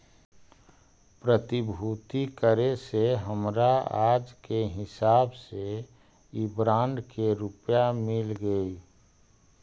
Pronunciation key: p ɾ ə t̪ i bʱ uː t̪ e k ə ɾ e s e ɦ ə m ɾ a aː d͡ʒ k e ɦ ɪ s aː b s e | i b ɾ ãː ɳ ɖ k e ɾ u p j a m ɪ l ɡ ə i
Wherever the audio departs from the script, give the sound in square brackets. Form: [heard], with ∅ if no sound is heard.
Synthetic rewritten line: p ɾ ə t̪ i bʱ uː t̪ [i] k ə ɾ e s e ɦ ə m ɾ a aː d͡ʒ k e ɦ ɪ s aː b s e | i b ɾ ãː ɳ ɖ k e ɾ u p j a m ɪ l ɡ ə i